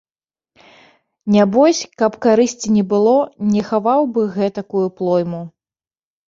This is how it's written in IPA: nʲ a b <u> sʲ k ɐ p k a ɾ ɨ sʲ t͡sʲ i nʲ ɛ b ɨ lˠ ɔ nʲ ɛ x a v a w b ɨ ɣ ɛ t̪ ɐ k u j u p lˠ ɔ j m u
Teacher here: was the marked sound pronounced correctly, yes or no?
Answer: no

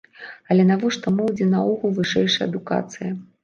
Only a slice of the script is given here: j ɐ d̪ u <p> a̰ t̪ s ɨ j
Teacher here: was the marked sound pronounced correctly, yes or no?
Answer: no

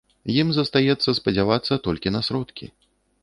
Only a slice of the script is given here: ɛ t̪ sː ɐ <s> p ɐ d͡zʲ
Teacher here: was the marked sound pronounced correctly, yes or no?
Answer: yes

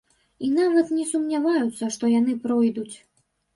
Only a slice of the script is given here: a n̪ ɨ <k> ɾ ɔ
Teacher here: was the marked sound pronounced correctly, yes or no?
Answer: no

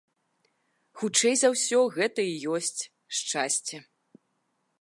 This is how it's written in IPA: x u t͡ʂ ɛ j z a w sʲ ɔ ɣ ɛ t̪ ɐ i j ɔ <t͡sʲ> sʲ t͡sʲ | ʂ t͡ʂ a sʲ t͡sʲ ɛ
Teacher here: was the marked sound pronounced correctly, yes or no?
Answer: no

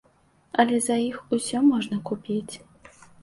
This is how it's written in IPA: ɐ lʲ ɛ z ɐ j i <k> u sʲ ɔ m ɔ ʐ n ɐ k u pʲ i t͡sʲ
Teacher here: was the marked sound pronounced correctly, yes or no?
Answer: no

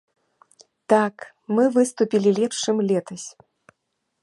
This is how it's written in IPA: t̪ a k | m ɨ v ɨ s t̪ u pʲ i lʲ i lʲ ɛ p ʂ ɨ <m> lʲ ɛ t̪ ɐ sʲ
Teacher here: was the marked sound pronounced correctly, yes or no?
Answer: yes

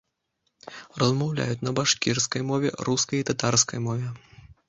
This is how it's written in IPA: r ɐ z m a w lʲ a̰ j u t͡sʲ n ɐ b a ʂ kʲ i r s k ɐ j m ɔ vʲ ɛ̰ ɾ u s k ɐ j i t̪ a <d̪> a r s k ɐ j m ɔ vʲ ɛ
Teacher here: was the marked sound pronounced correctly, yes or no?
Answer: no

